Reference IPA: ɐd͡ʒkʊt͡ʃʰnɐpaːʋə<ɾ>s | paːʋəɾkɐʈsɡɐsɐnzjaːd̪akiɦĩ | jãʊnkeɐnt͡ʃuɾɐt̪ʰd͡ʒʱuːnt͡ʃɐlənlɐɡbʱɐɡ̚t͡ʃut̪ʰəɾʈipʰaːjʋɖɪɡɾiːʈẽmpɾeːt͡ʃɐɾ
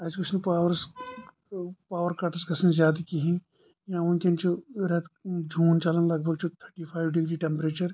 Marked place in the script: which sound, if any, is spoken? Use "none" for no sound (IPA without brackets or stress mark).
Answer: ɾ